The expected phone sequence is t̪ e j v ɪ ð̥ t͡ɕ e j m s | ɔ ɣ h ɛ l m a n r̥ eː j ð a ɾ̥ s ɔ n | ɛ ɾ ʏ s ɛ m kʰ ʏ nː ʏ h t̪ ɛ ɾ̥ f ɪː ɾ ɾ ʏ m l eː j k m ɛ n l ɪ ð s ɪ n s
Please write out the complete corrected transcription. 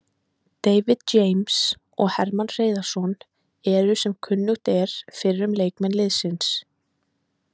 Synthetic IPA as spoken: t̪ e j v ɪ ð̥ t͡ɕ e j m s | ɔ ɣ h ɛ ɾ m a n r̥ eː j ð a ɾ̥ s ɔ n | ɛ ɾ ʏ s ɛ m kʰ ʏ nː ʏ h t̪ ɛ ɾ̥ f ɪ ɾ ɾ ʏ m l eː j k m ɛ n l ɪ ð s ɪ n s